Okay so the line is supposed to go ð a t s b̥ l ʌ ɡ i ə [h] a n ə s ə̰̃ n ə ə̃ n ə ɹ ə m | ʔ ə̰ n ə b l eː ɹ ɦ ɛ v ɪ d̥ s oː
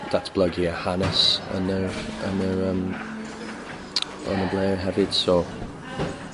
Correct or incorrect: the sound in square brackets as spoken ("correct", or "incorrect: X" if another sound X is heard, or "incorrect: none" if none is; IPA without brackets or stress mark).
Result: correct